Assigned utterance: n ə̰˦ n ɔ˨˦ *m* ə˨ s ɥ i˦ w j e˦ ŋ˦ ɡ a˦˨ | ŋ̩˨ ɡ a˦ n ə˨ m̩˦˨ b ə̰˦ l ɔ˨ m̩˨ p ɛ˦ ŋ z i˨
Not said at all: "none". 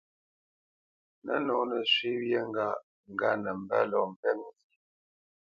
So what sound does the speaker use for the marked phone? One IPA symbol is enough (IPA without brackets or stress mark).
n